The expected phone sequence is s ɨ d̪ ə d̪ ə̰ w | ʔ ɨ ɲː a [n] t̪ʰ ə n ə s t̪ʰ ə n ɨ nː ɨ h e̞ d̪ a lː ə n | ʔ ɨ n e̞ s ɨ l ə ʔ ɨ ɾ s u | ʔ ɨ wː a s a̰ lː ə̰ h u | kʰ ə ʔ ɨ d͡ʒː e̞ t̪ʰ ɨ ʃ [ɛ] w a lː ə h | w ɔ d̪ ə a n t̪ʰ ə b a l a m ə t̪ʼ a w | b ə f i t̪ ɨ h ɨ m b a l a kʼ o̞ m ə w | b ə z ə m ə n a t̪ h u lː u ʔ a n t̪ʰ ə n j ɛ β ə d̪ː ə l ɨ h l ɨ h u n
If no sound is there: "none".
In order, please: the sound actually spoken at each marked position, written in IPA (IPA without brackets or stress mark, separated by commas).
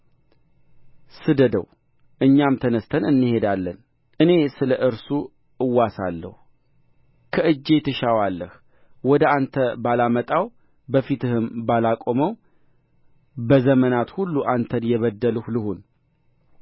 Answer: m, a